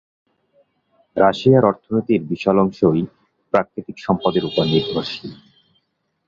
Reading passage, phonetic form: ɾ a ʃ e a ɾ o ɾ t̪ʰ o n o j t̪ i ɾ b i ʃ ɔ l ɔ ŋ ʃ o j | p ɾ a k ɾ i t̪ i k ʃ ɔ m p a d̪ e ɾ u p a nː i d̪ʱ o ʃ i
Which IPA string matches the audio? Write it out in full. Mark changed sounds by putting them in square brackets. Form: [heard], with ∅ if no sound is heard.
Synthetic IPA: ɾ a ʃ [i] a ɾ [ɔ] ɾ t̪ʰ o n o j t̪ i ɾ b i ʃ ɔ l ɔ ŋ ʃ o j | p ɾ a k ɾ i t̪ i k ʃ ɔ m p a d̪ e ɾ u p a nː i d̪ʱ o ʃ i